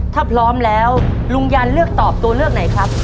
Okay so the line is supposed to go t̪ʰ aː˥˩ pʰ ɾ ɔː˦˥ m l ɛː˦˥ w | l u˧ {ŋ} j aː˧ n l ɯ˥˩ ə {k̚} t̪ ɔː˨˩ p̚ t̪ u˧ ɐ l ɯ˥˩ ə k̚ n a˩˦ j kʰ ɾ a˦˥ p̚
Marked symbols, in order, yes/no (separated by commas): yes, yes